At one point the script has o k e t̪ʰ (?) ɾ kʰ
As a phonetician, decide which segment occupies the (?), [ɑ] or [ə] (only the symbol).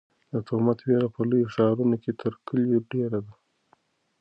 ə